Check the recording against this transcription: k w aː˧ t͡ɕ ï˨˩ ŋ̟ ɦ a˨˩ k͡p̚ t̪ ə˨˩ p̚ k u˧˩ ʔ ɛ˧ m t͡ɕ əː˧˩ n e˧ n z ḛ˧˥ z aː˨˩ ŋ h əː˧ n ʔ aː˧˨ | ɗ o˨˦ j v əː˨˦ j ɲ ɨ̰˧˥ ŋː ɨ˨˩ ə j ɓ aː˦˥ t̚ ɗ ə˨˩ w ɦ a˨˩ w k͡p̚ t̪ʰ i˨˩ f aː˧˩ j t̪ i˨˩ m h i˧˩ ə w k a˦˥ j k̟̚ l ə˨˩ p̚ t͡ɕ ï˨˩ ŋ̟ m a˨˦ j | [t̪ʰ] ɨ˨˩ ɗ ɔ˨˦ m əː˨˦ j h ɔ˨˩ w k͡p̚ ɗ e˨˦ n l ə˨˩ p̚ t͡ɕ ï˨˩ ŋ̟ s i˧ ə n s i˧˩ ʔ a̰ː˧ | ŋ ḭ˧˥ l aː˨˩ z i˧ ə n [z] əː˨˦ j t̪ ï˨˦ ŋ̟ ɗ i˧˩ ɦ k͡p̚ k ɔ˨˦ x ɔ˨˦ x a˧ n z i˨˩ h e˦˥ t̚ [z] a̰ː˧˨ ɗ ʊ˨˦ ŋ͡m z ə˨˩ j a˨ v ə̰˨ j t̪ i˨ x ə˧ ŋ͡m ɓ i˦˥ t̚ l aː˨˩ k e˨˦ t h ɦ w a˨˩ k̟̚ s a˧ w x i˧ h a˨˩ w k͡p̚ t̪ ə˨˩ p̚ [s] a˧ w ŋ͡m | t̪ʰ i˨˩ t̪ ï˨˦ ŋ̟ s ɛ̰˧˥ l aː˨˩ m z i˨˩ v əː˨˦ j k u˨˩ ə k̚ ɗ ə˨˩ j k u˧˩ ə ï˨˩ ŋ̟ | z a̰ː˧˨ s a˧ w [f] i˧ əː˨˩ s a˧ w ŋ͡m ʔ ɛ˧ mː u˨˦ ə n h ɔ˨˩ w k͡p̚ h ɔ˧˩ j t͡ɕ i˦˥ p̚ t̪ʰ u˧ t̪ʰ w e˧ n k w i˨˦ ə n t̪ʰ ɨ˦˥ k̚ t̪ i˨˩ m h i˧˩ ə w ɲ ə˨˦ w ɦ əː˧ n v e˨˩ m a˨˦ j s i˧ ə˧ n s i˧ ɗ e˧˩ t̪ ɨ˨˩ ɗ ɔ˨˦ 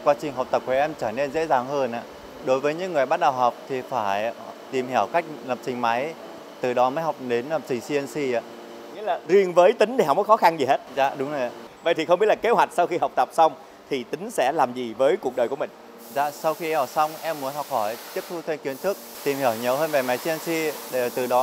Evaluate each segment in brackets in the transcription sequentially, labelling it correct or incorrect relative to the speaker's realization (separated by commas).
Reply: incorrect, incorrect, correct, correct, incorrect